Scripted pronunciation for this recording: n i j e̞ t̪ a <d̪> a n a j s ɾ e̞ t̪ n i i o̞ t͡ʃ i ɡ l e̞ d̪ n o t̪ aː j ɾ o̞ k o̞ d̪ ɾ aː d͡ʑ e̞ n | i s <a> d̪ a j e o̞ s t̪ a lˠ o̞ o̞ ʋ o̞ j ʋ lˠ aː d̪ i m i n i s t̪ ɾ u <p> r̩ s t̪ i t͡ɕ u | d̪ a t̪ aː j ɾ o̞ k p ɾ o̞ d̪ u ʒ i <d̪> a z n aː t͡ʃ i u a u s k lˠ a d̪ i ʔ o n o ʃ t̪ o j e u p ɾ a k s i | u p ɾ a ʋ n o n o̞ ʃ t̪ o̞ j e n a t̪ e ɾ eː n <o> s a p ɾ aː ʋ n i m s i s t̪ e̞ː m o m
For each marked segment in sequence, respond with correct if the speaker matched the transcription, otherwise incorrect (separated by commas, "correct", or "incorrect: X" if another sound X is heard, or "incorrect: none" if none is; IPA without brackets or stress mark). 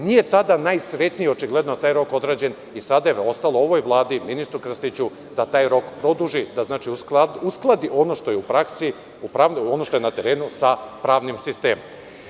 correct, correct, incorrect: k, correct, incorrect: u